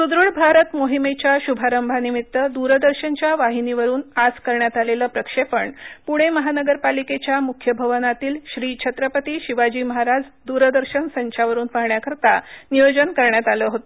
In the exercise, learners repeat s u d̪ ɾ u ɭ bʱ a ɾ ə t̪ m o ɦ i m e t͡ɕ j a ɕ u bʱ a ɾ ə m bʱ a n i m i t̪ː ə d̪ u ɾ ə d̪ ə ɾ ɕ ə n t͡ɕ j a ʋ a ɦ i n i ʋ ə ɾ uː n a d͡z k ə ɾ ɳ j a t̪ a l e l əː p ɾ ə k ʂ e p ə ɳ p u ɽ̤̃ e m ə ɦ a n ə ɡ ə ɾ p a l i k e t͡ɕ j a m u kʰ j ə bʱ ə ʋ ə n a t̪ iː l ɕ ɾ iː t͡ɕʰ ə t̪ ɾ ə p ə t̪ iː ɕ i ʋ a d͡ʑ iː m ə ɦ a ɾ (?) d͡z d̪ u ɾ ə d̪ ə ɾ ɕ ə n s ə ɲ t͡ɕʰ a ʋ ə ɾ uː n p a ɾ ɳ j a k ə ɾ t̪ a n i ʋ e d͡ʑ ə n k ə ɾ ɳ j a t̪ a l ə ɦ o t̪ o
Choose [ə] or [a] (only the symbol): a